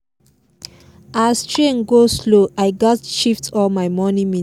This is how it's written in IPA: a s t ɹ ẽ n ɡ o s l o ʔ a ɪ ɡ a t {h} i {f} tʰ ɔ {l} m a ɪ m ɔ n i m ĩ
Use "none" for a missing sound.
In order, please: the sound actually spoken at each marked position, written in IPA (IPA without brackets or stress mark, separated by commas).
ʃ, f, l